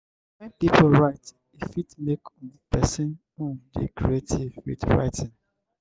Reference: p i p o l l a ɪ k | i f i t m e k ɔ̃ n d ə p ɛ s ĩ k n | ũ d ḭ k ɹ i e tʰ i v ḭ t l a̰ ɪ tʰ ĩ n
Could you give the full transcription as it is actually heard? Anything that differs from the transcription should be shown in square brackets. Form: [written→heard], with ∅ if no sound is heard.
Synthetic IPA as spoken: p i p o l [l→ɹ] a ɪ [k→t] | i f i t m e k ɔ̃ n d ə p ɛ s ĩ [k→∅] n | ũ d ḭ k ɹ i e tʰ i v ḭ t [l→ɹ] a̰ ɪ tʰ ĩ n